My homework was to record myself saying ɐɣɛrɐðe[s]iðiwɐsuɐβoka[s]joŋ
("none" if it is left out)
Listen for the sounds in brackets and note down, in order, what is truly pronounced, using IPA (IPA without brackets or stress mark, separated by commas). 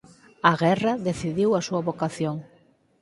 θ, θ